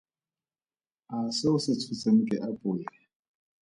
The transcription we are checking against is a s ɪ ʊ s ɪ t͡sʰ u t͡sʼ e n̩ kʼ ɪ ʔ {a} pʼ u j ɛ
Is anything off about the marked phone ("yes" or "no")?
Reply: no